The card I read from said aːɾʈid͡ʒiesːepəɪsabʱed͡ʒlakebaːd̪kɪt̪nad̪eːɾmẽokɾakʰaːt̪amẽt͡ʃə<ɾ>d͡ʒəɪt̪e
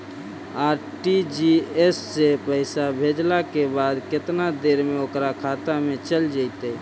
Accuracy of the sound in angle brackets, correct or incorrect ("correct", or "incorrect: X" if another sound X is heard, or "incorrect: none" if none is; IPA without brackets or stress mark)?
incorrect: l